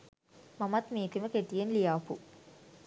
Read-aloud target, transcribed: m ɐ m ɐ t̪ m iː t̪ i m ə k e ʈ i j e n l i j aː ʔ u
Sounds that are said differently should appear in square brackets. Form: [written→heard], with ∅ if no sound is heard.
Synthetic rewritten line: m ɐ m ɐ t̪ m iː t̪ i m ə k e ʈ i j e n l i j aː [ʔ→p] u